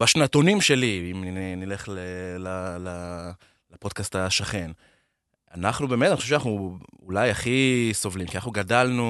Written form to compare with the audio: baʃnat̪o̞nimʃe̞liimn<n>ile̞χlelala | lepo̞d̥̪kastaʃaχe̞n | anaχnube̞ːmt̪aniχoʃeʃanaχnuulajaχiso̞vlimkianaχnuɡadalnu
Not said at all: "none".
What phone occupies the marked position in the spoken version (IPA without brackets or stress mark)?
n